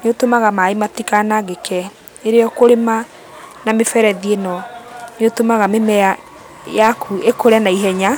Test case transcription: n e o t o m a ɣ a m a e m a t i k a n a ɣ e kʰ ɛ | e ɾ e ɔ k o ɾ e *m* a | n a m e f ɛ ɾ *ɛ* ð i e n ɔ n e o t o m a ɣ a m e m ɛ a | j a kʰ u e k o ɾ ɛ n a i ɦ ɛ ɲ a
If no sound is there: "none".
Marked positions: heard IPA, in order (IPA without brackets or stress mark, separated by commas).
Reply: m, ɛ